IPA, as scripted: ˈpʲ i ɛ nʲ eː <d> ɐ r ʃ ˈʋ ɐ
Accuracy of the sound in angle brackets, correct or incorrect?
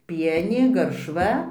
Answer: incorrect